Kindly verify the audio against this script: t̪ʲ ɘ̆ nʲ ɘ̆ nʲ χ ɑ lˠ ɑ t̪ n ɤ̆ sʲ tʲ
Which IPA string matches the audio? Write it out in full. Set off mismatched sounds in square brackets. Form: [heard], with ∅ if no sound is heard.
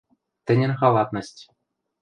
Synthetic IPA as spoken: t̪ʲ ɘ̆ nʲ ɘ̆ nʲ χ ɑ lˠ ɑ t̪ n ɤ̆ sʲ tʲ